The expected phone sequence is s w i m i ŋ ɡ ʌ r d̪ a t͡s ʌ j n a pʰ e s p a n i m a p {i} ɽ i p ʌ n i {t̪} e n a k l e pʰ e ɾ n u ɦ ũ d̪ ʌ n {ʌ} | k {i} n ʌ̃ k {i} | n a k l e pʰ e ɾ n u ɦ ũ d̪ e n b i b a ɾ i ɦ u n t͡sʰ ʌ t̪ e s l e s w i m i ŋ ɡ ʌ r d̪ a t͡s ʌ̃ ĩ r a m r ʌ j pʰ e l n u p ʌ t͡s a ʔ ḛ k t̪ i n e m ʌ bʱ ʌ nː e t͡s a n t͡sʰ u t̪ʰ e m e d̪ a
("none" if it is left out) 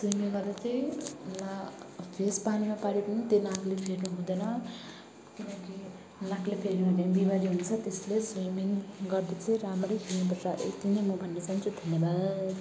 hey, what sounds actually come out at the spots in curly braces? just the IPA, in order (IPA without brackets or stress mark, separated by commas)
a, t̪, ʌ, i, i